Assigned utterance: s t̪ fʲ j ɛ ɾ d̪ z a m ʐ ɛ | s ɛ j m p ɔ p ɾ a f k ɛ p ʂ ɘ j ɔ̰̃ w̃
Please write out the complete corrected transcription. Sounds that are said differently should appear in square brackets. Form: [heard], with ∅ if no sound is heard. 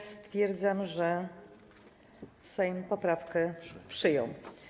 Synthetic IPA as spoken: s t̪ fʲ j ɛ ɾ d̪ z a m ʐ ɛ | s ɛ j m p ɔ p ɾ a f k ɛ p ʂ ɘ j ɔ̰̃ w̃